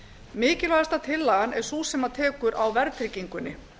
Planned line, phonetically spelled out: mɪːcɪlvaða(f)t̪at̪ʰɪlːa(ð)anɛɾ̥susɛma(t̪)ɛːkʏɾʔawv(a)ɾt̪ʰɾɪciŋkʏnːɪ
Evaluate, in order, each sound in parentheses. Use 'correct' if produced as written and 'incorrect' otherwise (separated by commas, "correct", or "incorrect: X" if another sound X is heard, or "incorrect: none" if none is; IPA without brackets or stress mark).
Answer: incorrect: s, incorrect: ɣ, incorrect: t̪ʰ, incorrect: ɛ